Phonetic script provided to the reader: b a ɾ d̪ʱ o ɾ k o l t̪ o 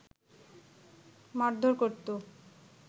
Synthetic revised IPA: m a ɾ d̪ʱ o ɾ k o ɾ t̪ o